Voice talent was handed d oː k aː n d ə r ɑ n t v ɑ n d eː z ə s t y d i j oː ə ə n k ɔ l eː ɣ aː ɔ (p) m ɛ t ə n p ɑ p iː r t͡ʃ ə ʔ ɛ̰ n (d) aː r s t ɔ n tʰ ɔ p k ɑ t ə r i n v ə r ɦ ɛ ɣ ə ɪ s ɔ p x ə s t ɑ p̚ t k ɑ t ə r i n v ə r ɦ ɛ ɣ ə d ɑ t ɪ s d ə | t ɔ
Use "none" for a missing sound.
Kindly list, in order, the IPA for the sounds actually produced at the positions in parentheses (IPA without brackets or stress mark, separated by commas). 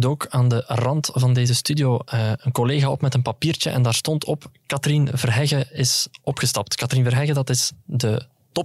p, d